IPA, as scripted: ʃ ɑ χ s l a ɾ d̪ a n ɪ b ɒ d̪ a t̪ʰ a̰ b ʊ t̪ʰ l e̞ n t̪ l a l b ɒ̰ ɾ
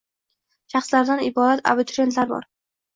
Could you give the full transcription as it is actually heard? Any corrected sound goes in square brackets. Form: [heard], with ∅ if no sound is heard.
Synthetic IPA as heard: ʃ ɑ χ s l a ɾ d̪ a n ɪ b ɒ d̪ a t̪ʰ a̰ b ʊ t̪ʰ [ɾ] e̞ n t̪ l a [ɾ] b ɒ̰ ɾ